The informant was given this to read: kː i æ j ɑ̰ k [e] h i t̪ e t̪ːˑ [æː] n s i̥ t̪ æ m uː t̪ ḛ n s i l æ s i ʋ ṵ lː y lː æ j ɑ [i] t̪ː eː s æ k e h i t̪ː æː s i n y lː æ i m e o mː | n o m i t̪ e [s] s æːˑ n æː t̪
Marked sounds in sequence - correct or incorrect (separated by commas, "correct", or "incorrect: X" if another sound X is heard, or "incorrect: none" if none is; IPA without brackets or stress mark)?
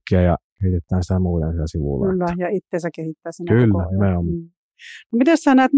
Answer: correct, correct, correct, correct